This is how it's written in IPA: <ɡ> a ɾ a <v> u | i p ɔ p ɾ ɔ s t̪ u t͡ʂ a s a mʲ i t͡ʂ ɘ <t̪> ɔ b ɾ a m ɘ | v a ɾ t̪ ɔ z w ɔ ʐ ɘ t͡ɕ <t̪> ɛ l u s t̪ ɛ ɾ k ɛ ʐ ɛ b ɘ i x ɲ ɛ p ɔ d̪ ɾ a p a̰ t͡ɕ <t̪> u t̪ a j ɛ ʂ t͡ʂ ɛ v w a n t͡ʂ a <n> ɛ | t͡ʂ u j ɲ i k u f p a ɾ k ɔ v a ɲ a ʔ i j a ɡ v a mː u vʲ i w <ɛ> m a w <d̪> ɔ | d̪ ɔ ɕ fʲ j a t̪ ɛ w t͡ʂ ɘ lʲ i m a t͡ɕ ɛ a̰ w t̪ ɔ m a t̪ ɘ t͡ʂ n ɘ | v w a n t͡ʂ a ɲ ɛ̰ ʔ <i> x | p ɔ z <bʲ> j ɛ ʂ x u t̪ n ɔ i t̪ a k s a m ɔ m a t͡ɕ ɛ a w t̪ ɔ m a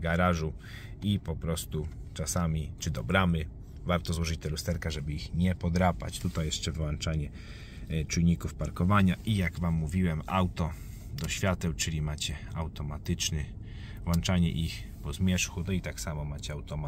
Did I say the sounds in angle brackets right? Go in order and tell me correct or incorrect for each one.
correct, incorrect: ʐ, incorrect: d̪, correct, correct, incorrect: ɲ, correct, incorrect: t̪, correct, incorrect: mʲ

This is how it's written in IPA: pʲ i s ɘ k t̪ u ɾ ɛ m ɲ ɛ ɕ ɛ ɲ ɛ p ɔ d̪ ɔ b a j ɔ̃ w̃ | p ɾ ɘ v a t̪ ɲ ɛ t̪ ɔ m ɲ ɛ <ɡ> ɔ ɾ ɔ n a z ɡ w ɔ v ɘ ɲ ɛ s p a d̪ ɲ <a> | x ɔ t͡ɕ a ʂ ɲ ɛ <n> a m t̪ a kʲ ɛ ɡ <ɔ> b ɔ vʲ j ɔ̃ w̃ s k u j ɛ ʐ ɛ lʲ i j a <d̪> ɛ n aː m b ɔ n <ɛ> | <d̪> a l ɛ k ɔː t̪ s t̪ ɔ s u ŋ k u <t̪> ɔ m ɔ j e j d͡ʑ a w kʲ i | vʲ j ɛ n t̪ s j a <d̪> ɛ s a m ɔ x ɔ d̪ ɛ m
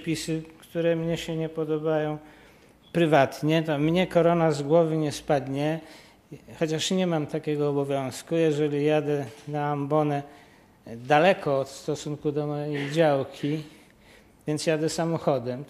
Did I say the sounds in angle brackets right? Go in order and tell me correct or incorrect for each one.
incorrect: k, incorrect: ɛ, incorrect: m, incorrect: ɔː, correct, correct, correct, incorrect: d̪, correct

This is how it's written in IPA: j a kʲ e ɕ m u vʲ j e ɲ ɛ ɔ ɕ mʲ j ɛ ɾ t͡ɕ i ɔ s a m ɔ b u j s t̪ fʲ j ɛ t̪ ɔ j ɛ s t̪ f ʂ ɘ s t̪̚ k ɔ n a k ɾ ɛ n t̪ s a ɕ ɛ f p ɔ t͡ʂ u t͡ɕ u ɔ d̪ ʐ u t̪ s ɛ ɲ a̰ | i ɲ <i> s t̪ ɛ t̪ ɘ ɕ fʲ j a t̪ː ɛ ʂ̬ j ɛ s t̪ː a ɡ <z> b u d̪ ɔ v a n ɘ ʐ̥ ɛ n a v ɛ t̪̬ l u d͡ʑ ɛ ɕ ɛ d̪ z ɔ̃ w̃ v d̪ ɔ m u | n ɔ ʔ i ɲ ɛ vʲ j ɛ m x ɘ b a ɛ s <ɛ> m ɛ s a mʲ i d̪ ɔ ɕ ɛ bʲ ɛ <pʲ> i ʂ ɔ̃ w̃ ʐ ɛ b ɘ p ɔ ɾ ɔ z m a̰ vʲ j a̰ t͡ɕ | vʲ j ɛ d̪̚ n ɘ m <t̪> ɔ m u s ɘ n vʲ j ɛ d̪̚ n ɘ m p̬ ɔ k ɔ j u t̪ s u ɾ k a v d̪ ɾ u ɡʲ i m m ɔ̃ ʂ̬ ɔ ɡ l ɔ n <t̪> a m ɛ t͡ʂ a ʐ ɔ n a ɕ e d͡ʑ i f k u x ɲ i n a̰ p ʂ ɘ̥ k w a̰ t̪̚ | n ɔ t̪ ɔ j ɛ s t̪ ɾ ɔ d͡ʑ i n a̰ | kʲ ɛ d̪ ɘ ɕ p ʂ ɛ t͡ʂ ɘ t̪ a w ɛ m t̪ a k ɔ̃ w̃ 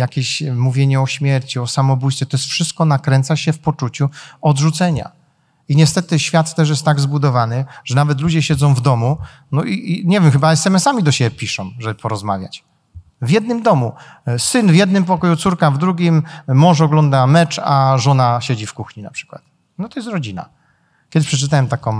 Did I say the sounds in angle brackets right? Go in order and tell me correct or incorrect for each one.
incorrect: ɛ, correct, correct, correct, incorrect: d̪, incorrect: d̪

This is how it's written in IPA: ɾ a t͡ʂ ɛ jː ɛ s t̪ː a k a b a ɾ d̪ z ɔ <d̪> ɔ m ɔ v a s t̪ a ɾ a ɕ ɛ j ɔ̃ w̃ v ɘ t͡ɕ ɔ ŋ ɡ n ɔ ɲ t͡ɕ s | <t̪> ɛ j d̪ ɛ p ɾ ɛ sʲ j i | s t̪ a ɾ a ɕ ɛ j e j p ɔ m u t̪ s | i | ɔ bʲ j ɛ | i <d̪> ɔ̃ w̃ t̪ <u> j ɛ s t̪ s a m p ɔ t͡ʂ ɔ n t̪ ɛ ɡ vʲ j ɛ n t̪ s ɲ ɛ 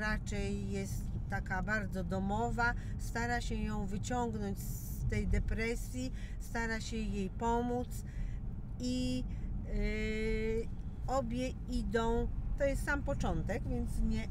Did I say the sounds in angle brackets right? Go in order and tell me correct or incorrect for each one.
correct, correct, correct, incorrect: ɔ

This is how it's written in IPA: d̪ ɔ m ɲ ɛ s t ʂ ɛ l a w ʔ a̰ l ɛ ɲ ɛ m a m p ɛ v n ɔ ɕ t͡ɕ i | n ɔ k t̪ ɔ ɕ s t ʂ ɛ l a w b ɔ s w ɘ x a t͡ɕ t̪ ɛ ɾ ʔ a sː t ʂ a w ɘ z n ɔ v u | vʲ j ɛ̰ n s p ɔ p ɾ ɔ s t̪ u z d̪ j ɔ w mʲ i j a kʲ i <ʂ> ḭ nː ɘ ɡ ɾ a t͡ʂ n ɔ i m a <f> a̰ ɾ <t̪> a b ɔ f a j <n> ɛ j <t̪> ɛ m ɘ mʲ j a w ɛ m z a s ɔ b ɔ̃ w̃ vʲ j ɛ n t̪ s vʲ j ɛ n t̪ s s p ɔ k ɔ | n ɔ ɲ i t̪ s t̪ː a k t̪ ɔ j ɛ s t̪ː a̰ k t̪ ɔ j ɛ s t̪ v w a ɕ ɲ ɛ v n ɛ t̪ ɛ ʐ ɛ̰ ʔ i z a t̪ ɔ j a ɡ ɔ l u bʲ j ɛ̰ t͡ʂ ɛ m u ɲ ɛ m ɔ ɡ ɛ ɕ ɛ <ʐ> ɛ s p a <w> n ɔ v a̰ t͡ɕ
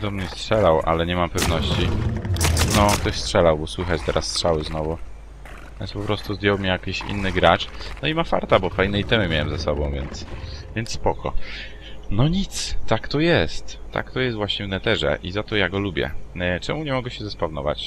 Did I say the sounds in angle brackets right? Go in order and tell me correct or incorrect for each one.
incorrect: ɕ, correct, correct, correct, correct, incorrect: z, incorrect: v

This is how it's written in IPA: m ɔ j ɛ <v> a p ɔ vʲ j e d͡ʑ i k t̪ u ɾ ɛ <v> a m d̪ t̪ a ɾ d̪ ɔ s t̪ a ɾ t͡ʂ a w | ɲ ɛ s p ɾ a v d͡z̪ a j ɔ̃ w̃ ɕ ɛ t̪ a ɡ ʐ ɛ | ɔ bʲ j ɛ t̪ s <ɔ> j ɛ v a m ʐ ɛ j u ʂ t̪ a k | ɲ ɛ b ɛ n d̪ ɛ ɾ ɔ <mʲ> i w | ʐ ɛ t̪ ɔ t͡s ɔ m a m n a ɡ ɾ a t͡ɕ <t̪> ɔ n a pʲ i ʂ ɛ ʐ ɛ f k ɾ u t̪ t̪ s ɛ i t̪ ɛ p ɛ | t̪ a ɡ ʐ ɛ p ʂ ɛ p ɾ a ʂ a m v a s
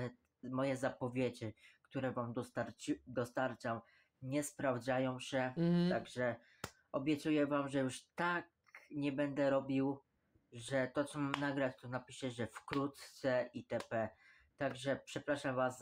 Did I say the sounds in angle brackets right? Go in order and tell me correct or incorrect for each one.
incorrect: z, correct, incorrect: u, incorrect: bʲ, correct

